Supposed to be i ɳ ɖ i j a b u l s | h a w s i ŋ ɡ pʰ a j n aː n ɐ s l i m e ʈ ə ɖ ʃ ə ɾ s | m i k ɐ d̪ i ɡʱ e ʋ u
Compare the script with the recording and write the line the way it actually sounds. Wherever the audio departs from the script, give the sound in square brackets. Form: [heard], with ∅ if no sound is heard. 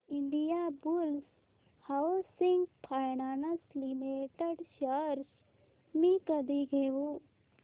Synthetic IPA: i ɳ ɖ i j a b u l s | h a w s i ŋ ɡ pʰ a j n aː n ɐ s l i m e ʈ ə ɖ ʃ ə ɾ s | m i k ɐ d̪ i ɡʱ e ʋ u